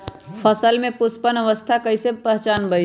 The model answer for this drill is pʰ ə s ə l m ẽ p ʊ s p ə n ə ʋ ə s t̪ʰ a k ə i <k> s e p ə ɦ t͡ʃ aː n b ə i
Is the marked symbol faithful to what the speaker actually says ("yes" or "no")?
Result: no